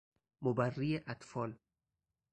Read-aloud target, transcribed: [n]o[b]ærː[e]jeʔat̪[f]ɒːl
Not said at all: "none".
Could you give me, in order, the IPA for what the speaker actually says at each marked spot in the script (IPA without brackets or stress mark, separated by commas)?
m, b, i, f